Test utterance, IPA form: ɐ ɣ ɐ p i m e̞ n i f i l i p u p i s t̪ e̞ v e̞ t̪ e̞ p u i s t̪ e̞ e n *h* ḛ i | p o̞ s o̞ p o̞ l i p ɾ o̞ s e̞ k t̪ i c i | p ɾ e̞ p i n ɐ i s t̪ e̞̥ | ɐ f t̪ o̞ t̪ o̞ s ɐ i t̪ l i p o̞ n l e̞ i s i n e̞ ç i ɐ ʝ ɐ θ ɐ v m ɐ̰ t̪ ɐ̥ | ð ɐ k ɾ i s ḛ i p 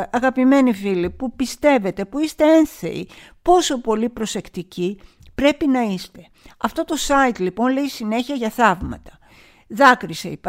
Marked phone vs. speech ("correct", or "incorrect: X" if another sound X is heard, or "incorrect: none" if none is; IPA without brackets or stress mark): incorrect: θ